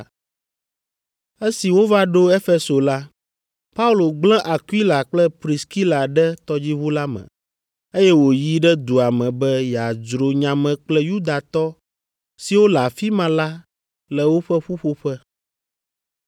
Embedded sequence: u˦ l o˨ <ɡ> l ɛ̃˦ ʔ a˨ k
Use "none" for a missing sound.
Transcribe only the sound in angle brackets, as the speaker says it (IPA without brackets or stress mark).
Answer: ɡ͡b